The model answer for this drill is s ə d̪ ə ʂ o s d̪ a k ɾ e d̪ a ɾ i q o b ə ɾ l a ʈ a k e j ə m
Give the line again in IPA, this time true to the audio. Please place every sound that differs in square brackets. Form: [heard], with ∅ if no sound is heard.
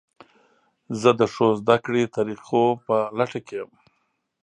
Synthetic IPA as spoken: [z] ə d̪ ə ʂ o [z] d̪ a k [ɽ] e [t̪] a ɾ i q o [p] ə [∅] l a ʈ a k e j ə m

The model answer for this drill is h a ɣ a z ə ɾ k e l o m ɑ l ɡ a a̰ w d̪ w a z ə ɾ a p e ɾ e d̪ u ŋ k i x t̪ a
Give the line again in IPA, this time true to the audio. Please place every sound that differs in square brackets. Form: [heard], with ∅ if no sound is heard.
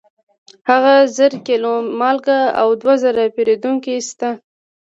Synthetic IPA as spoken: h a ɣ a z ə ɾ k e l o m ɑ l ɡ a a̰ w d̪ w a z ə ɾ a p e ɾ e d̪ u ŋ k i [s] t̪ a

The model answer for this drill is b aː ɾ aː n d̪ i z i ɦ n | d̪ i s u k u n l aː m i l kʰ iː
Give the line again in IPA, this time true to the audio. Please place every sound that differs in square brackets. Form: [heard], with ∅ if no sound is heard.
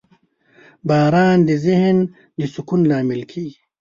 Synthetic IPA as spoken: b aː ɾ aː n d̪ i z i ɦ n | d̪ i s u k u n l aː m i l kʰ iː

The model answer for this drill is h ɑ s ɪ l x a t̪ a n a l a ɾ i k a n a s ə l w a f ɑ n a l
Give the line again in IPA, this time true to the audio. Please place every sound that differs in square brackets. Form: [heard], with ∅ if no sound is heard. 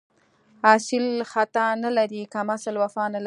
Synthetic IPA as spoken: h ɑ s ɪ l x a t̪ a n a l a ɾ i k a [m] a s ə l w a f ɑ n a l

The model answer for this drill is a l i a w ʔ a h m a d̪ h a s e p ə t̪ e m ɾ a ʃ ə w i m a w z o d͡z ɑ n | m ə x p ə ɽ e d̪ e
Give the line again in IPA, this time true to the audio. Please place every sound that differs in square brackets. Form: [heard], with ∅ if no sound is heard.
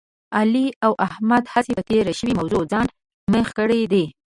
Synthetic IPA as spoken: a l i a w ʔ a h m a d̪ h a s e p ə t̪ e [∅] ɾ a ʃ ə w i m a w z o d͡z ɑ n | m ə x [k] ə ɽ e d̪ e

